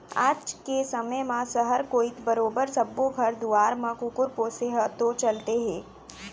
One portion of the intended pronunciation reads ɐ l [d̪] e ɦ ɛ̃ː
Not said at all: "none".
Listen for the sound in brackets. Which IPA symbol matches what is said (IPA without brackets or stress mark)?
t̪